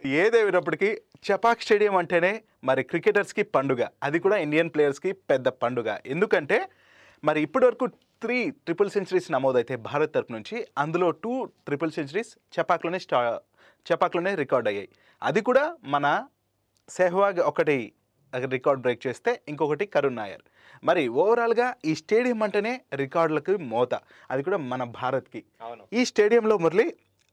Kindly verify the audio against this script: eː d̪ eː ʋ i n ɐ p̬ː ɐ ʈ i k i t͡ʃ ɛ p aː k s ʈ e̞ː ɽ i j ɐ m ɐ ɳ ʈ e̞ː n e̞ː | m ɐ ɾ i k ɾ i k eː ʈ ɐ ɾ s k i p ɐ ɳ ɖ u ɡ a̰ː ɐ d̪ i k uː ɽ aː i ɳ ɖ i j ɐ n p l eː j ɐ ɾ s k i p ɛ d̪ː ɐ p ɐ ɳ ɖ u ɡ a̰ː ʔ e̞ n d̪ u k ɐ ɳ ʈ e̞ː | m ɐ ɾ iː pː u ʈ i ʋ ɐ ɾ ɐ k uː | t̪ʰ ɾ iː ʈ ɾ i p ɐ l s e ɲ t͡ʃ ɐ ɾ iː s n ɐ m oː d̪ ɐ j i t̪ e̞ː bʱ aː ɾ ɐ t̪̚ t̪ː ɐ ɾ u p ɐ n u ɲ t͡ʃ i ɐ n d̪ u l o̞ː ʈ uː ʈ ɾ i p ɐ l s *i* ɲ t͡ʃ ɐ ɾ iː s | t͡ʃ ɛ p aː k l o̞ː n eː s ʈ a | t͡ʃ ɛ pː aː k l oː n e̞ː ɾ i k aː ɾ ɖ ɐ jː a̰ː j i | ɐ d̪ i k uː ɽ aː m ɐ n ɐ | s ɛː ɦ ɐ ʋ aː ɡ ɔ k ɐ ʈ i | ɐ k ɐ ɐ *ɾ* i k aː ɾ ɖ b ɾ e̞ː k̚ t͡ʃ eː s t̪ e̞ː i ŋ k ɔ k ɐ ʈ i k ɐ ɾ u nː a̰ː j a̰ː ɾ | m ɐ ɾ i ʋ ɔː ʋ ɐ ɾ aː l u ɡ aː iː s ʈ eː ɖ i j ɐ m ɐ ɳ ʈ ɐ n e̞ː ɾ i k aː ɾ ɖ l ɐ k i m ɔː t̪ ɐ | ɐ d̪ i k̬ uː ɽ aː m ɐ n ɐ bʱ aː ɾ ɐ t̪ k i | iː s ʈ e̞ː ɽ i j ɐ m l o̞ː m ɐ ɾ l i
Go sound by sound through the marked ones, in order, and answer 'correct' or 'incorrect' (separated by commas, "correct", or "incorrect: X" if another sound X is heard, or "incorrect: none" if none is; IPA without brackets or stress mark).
incorrect: e, correct